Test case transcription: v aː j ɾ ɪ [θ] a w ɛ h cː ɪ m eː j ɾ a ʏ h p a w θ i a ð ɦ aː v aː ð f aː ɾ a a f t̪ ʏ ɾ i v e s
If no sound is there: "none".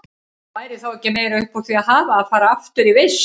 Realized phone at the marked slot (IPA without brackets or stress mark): θ